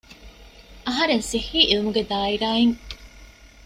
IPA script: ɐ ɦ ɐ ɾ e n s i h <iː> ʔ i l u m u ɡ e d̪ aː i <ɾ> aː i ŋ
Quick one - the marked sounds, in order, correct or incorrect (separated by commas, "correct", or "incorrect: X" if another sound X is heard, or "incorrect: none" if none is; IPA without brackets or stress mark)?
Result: correct, correct